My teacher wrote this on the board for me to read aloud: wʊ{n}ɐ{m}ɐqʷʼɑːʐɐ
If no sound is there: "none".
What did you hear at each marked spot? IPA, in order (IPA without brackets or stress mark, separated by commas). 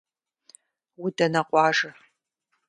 d, n